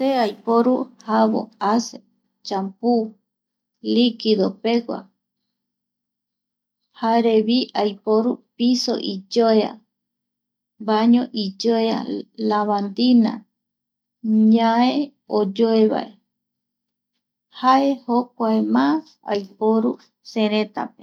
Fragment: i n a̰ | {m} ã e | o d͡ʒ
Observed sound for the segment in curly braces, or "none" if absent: ɲ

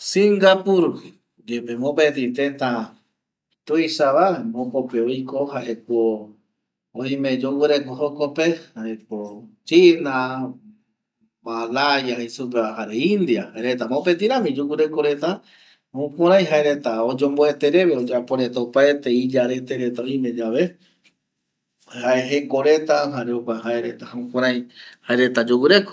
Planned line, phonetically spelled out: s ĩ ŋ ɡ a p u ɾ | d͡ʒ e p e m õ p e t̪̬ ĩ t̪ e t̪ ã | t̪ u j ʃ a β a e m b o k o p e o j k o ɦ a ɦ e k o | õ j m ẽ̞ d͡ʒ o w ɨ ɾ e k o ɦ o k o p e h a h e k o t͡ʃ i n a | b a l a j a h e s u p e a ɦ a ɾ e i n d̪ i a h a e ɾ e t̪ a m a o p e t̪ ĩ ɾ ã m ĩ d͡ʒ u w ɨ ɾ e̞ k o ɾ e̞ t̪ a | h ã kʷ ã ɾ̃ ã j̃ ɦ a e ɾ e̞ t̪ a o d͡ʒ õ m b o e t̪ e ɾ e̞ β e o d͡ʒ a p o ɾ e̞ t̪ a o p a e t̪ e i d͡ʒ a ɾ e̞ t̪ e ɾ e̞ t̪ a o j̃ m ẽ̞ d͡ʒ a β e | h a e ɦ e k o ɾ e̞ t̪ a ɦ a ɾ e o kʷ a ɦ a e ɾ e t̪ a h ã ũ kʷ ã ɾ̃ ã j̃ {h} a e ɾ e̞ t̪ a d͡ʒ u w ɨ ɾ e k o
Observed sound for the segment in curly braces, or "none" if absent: h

